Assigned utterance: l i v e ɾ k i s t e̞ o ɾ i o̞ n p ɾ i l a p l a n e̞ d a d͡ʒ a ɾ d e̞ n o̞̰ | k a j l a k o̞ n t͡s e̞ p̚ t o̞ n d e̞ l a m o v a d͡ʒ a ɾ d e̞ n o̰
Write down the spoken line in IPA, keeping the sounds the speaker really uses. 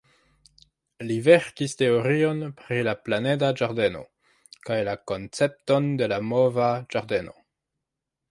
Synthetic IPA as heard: l i v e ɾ k i s t e̞ o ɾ i o̞ n p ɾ i l a p l a n e̞ d a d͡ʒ a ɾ d e̞ n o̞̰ | k a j l a k o̞ n t͡s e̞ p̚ t o̞ n d e̞ l a m o v a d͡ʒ a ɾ d e̞ n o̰